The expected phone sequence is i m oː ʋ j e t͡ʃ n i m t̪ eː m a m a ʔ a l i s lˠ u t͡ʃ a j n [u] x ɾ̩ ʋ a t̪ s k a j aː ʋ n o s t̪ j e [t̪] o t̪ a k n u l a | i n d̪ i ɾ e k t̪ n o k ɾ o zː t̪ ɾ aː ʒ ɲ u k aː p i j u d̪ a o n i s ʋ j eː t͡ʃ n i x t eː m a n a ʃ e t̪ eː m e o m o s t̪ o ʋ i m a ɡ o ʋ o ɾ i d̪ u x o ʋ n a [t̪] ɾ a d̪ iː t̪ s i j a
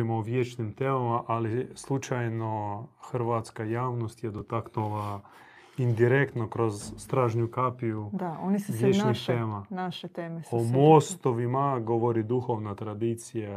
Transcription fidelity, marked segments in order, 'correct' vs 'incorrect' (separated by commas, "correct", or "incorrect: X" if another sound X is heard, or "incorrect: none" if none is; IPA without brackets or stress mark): incorrect: o, incorrect: d̪, correct